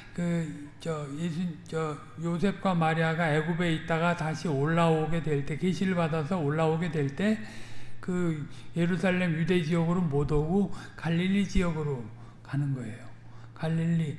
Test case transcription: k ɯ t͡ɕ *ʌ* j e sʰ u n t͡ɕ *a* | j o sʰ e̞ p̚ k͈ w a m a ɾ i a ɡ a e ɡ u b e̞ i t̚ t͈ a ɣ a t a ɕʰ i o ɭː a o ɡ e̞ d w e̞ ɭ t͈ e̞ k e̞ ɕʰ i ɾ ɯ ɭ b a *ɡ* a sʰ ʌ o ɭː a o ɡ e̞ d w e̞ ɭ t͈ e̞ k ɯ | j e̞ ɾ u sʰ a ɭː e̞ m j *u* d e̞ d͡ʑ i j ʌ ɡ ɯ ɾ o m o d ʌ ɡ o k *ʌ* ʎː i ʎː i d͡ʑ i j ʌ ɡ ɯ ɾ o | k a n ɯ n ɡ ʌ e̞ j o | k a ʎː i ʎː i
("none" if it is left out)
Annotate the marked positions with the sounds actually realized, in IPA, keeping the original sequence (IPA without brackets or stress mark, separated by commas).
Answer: ʌ, ʌ, d, u, a